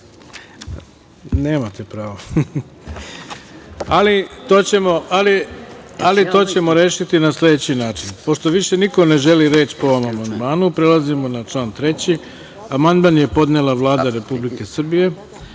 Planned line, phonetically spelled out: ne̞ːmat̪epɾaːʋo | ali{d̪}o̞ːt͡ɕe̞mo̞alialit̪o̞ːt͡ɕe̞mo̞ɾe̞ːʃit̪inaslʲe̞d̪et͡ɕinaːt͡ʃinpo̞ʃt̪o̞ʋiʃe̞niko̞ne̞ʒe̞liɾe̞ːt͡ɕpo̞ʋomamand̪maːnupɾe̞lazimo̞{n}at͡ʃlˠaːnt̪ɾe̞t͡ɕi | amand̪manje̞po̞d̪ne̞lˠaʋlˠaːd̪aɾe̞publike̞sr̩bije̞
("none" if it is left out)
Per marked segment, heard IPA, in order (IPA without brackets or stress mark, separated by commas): t̪, n